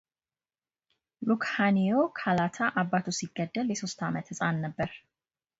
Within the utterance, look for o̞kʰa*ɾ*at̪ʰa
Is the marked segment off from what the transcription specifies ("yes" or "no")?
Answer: yes